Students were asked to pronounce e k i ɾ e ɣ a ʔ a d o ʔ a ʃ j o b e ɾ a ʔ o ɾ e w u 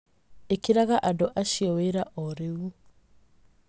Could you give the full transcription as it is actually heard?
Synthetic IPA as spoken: e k i ɾ a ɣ a ʔ a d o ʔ a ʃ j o w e ɾ a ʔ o ɾ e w u